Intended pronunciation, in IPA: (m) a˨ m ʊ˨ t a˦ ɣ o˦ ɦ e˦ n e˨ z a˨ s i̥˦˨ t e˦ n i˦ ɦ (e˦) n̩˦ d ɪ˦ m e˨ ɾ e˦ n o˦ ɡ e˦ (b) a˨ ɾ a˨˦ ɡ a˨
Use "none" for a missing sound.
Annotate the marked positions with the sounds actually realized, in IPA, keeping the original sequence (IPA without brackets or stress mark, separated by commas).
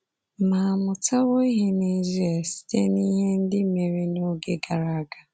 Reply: m, e˦, ɡ